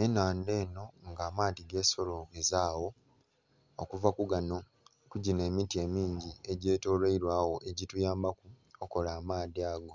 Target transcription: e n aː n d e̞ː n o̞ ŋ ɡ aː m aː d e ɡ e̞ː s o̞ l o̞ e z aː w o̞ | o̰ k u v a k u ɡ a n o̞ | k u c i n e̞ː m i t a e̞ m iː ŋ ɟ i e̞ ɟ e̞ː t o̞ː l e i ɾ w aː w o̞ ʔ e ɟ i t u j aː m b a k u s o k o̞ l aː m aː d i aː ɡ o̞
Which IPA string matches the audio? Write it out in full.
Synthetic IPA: e n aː n d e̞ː n o̞ ŋ ɡ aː m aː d i ɡ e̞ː s o̞ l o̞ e z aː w o̞ | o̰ k u v a k u ɡ a n o̞ | k u ɟ i n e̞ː m i t i e̞ m iː ɲ ɟ i e̞ ɟ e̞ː t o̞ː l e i ɾ w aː w o̞ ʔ e ɟ i t u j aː m b a k u o k o̞ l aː m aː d i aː ɡ o̞